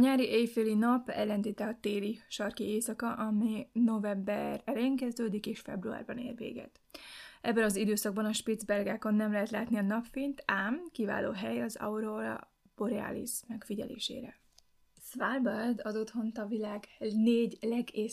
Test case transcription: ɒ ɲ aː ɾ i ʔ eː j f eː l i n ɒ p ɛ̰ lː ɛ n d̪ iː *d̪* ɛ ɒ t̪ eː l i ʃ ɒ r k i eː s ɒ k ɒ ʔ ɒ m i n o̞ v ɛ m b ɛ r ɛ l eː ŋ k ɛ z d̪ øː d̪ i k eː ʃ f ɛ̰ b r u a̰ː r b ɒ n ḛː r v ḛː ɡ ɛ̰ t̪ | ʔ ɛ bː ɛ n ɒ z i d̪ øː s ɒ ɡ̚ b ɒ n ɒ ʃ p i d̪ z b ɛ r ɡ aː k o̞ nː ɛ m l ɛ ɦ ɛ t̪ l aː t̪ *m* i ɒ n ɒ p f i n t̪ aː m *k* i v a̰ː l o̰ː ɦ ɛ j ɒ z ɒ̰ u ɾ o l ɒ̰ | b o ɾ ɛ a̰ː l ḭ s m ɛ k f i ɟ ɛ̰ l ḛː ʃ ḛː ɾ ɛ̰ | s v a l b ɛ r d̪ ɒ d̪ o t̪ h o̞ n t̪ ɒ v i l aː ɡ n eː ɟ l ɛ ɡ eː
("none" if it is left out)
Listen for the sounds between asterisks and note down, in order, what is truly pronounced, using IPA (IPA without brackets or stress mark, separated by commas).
t̪, n, k